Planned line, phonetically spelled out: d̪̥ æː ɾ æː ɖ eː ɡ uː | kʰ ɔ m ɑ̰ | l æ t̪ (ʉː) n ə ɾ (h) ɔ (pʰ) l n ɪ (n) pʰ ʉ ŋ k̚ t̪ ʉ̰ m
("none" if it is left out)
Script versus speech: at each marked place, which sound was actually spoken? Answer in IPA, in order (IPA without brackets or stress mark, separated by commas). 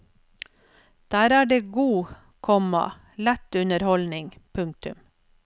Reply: ʉ, h, none, ŋ